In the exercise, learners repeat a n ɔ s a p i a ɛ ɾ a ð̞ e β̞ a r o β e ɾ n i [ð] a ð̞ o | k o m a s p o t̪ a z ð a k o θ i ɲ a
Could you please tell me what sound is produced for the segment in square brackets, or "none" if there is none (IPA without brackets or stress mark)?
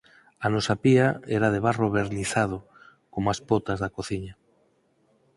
θ